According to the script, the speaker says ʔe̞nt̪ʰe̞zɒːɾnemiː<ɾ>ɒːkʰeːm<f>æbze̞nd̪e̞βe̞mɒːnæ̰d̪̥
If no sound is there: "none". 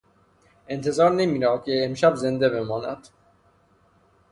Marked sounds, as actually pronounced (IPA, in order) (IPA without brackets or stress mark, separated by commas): ɾ, ʃ